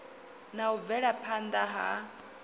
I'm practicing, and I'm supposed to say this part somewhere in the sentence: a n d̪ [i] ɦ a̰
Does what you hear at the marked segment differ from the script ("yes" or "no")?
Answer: yes